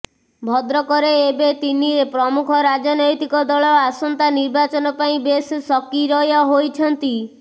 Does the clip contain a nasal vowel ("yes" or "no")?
yes